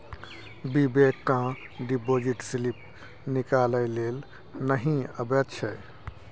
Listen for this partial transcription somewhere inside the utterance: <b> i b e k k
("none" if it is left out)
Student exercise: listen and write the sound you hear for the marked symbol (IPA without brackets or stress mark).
b